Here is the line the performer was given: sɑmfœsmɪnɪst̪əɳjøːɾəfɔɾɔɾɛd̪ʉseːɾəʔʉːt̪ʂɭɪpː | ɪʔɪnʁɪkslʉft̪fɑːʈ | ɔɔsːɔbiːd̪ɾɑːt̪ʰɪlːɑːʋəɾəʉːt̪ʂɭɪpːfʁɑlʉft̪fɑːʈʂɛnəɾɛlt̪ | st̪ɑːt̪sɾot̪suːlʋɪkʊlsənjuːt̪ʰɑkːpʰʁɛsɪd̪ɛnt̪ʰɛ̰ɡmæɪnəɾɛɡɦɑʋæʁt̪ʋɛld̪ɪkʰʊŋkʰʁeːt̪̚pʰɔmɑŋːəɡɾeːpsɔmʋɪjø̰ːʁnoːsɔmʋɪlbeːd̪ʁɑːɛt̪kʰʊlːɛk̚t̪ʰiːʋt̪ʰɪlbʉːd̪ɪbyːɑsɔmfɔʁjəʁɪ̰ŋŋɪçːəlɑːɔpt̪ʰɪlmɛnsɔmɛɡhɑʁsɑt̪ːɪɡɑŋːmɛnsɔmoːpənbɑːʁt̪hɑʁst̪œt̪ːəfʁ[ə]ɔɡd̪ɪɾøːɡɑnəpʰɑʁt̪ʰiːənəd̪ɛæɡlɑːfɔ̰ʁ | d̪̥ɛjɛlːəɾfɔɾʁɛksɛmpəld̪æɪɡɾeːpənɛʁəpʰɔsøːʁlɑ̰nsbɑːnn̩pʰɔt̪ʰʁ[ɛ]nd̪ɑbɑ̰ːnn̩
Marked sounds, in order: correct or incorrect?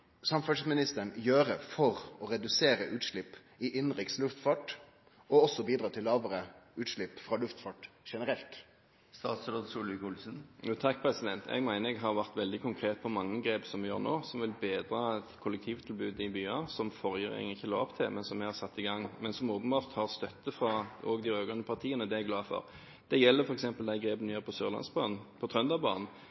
incorrect: ɑ, incorrect: œ

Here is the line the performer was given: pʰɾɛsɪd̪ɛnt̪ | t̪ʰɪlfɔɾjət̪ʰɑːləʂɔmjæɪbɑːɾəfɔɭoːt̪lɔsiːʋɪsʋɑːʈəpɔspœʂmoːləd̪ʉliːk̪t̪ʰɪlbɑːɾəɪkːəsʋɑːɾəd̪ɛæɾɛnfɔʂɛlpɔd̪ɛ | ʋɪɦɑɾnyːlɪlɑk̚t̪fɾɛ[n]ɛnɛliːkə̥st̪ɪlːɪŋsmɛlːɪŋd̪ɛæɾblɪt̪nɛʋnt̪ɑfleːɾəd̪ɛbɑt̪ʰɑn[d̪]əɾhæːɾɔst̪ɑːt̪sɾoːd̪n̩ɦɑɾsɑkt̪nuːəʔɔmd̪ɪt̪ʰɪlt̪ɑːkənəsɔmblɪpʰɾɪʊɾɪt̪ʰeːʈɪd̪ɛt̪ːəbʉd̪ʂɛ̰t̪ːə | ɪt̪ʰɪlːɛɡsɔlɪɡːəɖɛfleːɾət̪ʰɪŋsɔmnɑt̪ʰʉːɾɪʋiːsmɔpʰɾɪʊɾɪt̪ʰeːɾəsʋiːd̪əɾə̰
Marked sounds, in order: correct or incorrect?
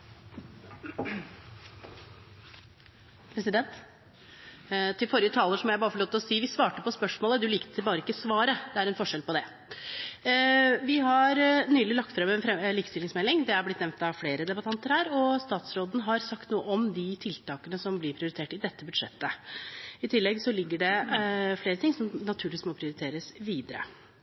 incorrect: m, incorrect: t̪

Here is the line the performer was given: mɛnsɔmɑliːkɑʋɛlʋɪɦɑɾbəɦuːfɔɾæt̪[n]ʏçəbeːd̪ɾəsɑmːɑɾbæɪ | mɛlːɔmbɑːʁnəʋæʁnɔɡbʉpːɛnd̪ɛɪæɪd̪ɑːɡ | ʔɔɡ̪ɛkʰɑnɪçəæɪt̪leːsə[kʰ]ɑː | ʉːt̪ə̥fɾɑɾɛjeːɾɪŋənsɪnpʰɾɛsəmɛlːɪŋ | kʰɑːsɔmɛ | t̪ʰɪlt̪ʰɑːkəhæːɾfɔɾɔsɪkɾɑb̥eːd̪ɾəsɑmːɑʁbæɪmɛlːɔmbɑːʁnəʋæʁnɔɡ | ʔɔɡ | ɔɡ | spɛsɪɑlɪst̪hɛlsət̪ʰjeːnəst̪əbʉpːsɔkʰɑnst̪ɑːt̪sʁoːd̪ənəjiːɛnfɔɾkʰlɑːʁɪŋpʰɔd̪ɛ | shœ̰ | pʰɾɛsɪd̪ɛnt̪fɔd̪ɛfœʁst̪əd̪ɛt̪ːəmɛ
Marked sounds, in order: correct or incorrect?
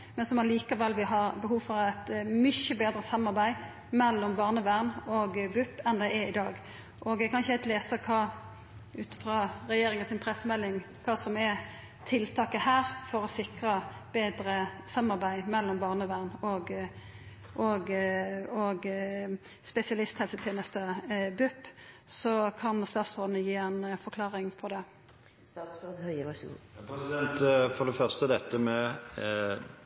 incorrect: m, correct

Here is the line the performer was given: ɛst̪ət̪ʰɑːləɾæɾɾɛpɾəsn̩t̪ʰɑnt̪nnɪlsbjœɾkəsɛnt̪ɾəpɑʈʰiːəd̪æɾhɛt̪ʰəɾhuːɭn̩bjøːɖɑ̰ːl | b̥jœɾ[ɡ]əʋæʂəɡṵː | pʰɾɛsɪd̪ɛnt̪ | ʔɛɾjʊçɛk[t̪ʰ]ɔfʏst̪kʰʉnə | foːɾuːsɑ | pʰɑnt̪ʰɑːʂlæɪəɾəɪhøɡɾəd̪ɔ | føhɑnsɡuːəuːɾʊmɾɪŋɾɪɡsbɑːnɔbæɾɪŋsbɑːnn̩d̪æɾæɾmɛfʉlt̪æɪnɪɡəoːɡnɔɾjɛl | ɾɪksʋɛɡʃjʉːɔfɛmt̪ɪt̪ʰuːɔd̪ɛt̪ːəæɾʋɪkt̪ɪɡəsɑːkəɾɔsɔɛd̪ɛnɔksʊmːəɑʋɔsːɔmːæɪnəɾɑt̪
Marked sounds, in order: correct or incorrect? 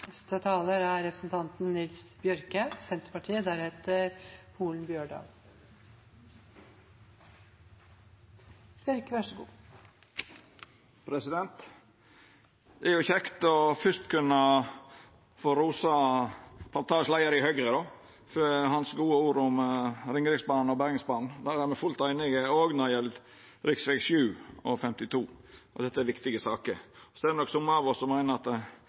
incorrect: k, incorrect: t̪

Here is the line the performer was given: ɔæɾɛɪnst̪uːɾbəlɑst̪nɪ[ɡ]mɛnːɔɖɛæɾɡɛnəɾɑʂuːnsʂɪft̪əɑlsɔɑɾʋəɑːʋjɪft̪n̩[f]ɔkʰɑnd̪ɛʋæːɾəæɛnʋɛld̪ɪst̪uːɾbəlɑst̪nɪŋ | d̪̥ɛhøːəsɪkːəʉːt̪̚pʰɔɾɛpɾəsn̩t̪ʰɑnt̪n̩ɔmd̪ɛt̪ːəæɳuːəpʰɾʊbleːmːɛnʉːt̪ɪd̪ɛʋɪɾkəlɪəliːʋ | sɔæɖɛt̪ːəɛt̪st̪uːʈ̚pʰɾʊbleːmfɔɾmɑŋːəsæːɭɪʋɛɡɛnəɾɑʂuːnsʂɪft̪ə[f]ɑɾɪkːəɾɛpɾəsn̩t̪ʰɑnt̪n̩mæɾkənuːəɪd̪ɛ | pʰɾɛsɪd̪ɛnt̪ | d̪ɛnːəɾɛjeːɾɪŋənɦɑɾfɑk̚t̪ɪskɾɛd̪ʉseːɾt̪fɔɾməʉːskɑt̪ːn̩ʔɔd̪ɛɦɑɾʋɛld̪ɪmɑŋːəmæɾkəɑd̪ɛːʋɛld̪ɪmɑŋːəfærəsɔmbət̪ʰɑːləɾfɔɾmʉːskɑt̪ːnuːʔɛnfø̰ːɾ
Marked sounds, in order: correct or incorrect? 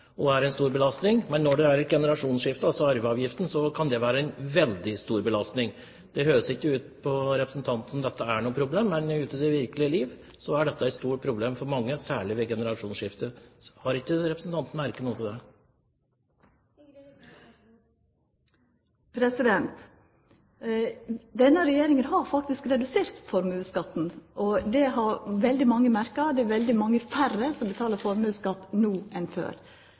incorrect: ŋ, incorrect: s, incorrect: h

